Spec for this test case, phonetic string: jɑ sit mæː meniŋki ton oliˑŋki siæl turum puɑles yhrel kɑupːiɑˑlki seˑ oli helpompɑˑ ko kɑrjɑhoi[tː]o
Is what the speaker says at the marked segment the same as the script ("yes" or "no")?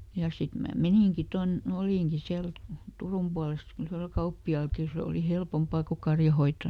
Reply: yes